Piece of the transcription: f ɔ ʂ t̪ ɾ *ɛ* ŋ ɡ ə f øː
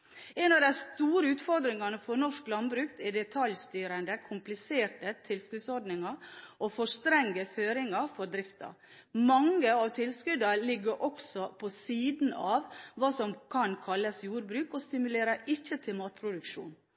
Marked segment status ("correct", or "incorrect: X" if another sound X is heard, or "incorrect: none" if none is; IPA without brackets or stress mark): correct